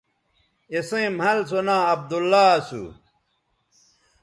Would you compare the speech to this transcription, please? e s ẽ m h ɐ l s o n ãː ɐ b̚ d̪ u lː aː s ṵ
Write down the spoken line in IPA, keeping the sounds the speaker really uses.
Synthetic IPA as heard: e s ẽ m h ɐ l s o n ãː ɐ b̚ d̪ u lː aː s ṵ